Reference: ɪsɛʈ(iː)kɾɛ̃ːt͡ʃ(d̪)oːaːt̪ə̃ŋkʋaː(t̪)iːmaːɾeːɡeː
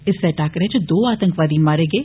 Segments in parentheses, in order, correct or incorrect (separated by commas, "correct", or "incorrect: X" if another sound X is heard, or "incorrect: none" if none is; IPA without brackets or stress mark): incorrect: aː, correct, incorrect: d̪